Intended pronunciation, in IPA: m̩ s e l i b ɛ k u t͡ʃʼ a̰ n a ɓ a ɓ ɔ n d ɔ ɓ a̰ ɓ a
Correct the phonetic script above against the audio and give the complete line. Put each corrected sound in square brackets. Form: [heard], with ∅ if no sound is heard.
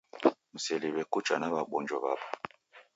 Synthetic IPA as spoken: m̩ s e l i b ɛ k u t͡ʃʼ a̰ n a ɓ a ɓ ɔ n [d͡ʒ] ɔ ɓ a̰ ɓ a